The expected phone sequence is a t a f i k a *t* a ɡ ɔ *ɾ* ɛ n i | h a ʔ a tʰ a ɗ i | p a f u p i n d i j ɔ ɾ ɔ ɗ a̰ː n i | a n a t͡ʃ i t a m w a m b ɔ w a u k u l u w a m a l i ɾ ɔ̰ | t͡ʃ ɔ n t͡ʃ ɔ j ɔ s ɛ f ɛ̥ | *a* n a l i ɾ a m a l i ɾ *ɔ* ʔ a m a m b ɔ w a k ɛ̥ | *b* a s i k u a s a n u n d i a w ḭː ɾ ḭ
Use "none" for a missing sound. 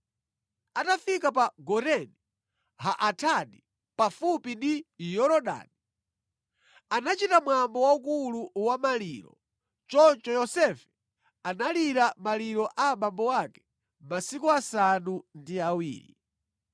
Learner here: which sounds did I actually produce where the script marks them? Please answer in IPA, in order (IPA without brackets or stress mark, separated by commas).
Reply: p, ɾ, a, ɔ, m